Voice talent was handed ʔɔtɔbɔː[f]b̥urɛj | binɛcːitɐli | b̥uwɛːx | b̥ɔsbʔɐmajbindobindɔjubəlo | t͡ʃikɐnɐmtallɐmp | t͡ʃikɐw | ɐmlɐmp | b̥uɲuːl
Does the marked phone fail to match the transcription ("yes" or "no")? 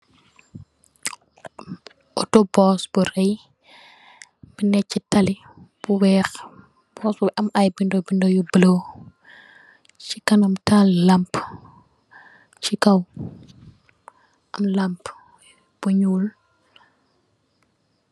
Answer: yes